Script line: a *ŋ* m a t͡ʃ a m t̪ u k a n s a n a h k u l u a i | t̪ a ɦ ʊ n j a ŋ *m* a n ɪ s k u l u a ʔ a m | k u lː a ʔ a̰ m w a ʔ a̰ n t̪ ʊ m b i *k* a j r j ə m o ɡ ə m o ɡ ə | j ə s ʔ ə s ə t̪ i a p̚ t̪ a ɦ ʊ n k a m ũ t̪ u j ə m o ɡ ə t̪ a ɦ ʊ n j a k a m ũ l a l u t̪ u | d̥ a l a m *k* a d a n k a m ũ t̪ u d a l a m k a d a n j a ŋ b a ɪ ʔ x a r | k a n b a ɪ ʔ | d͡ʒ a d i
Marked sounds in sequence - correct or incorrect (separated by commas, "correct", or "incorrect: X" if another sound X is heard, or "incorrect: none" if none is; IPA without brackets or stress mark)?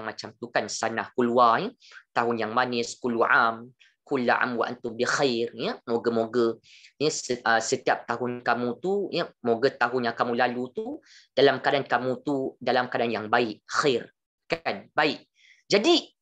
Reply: correct, correct, incorrect: x, correct